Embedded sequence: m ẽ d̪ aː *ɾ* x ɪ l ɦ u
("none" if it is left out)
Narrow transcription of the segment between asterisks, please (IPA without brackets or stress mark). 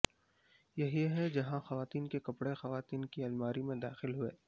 none